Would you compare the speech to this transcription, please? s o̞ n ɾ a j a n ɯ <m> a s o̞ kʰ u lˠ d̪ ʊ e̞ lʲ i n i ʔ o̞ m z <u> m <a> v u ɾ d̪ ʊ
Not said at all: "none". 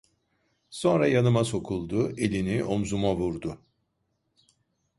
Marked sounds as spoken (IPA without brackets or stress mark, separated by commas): m, u, a